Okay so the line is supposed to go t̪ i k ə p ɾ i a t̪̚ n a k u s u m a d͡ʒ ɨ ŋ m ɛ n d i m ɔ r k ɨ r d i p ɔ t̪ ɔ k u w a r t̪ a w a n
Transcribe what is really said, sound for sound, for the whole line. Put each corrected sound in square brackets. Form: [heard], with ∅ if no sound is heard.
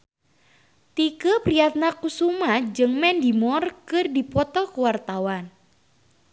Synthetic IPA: t̪ i k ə p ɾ i a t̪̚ n a k u s u m a d͡ʒ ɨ ŋ m ɛ n d i m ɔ r k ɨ r d i p ɔ t̪ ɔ k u w a r t̪ a w a n